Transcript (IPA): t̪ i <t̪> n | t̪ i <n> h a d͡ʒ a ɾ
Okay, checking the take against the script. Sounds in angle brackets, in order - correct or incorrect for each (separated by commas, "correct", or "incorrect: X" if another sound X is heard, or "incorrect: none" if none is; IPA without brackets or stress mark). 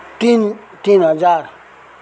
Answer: incorrect: none, correct